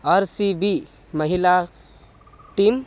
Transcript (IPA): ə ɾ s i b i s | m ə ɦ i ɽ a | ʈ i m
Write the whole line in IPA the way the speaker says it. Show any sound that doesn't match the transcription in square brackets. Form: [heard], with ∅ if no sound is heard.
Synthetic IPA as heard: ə ɾ s i b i [∅] | m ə ɦ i [l] a | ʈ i m